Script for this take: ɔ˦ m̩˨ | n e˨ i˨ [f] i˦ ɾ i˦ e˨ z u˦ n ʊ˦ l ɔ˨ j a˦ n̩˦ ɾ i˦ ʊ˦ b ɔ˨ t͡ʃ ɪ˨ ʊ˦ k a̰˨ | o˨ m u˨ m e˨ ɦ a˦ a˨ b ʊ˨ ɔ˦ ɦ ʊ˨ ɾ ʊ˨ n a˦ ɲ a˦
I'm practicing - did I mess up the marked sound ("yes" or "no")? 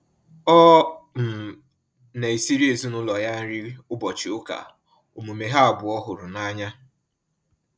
yes